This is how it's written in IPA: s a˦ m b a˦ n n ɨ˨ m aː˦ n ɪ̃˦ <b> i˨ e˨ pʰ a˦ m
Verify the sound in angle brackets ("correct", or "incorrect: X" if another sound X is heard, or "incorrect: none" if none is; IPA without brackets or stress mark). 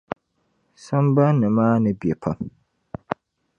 correct